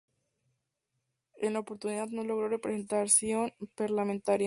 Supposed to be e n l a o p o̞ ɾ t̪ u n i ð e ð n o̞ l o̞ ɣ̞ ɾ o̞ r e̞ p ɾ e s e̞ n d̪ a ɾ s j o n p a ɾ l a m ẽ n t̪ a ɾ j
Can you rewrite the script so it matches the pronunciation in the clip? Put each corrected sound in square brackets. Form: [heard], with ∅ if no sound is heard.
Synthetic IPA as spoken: e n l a o p o̞ ɾ t̪ u n i ð [a] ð n o̞ l o̞ ɣ̞ ɾ o̞ r e̞ p ɾ e s e̞ n [t̪] a ɾ s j o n p a ɾ l a m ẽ n t̪ a ɾ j